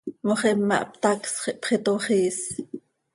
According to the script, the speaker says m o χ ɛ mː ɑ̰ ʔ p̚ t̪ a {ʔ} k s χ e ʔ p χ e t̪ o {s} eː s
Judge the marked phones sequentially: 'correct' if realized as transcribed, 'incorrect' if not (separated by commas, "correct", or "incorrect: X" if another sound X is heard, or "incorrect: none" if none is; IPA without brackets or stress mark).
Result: incorrect: none, incorrect: χ